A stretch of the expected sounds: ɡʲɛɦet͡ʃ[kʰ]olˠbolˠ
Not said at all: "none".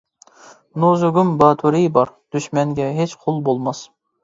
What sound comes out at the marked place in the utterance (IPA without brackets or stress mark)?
qʰ